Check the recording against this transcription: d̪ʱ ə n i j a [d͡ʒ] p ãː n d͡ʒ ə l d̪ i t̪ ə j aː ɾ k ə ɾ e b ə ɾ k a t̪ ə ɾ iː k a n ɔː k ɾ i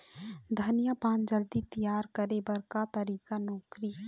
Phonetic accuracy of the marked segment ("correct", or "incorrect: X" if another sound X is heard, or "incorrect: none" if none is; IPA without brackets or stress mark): incorrect: none